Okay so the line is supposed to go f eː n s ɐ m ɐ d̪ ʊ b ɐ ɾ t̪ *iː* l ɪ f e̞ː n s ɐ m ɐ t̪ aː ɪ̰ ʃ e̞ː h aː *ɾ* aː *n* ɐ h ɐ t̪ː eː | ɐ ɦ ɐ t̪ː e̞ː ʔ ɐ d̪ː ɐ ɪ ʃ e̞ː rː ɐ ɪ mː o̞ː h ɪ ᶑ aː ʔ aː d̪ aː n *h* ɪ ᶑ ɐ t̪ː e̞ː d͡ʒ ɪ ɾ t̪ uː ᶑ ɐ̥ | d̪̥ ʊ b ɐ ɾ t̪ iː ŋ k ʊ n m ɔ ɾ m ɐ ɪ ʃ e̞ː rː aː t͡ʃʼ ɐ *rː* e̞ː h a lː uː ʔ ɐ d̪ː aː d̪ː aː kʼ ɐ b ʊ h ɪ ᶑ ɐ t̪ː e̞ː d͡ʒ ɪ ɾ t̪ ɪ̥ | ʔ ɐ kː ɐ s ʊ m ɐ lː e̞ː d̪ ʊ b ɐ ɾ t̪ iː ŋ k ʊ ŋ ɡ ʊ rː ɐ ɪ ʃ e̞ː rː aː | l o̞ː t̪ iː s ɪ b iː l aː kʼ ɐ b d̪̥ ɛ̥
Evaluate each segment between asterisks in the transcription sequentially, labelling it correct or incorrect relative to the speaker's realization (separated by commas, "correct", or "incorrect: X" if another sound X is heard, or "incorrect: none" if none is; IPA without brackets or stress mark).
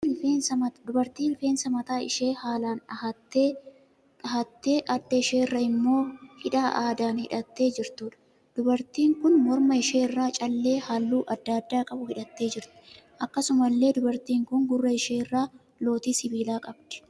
correct, incorrect: l, correct, correct, incorrect: lː